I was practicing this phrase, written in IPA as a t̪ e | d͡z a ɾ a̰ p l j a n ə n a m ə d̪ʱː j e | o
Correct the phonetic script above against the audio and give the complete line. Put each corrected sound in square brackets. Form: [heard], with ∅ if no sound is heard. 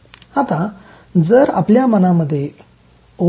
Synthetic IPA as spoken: a t̪ [a] | d͡z [ə] ɾ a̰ p l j a [m] ə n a m ə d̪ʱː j e | o

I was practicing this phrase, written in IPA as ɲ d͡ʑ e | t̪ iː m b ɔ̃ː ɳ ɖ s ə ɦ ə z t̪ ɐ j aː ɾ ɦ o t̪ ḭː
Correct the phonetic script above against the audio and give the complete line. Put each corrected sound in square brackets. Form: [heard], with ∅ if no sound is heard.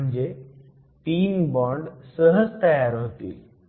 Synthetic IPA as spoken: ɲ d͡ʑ e | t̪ iː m b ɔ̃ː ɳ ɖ s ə ɦ ə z t̪ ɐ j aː ɾ ɦ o t̪ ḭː

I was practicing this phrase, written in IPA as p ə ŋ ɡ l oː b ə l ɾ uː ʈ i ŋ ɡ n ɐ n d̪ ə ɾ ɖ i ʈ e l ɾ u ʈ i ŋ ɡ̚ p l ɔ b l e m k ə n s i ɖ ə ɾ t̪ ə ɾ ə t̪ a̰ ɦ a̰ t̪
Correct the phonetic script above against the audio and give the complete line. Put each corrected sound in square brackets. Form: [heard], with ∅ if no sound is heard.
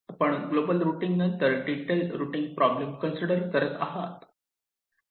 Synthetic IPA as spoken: p ə [ɳ] ɡ l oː b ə l ɾ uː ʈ i ŋ ɡ n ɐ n [t̪] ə ɾ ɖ i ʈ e l ɾ u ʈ i ŋ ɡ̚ p [ɾ] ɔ b l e m k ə n s i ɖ ə ɾ t̪ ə ɾ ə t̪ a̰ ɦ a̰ t̪

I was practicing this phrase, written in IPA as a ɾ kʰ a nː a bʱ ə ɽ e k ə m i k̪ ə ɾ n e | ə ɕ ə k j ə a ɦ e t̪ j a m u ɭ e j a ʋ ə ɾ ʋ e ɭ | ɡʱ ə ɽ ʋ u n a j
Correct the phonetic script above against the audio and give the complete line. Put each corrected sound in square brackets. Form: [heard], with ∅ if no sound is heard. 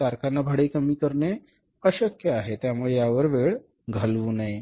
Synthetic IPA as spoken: a ɾ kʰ a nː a bʱ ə ɽ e k ə m i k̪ ə ɾ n e | ə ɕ ə k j ə a ɦ e t̪ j a m u ɭ e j a ʋ ə ɾ ʋ e ɭ | ɡʱ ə [l] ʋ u n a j

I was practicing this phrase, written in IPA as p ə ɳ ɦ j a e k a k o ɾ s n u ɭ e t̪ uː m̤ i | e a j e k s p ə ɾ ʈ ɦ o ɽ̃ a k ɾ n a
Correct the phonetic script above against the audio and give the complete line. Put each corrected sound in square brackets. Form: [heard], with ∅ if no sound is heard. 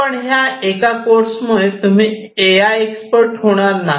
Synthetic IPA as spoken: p ə ɳ ɦ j a e k a k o ɾ s [m] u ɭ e t̪ [u] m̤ i | e a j e k s p ə ɾ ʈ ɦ o ɽ̃ a [∅] ɾ n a

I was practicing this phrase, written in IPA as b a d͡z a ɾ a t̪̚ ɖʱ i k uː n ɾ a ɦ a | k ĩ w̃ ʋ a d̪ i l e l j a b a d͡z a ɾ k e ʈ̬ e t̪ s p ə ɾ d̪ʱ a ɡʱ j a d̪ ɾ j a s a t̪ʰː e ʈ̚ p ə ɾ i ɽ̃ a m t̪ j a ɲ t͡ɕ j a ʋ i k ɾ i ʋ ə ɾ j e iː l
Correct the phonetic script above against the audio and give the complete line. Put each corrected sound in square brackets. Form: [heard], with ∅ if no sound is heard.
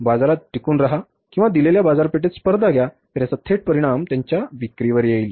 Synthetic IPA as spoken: b a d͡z a ɾ a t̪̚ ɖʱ i k uː n ɾ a ɦ a | k ĩ w̃ ʋ a d̪ i l e l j a b a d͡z a ɾ [p] e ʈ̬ e t̪ s p ə ɾ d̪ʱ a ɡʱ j a [t̪] ɾ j a s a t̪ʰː e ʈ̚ p ə ɾ i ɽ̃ a m t̪ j a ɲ t͡ɕ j a ʋ i k ɾ i ʋ ə ɾ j e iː l

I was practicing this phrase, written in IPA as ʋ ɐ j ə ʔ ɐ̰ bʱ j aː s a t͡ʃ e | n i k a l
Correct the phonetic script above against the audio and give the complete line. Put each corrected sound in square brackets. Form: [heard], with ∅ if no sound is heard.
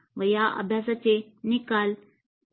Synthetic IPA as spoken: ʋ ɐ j [a] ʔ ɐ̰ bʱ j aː s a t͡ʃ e | n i k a l

